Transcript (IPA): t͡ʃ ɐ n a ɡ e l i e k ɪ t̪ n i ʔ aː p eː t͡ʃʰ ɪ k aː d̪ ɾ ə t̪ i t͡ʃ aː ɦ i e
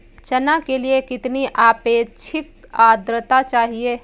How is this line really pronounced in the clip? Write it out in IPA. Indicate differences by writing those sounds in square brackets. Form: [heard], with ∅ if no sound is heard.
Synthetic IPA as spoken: t͡ʃ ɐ n a [k] e l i e k ɪ t̪ n i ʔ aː p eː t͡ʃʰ ɪ k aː d̪ ɾ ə t̪ [a] t͡ʃ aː ɦ i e